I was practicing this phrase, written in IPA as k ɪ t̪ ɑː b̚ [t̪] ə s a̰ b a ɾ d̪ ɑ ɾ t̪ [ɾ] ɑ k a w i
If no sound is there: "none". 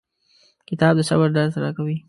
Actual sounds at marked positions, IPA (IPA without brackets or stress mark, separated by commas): d̪, ɾ